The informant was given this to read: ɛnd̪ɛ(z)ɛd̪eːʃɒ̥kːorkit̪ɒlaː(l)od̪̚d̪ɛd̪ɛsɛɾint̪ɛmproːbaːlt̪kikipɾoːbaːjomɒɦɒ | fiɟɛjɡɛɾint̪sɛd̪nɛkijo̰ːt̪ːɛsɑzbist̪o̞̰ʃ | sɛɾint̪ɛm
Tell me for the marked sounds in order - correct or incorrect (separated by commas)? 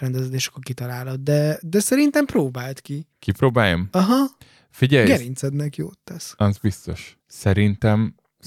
correct, correct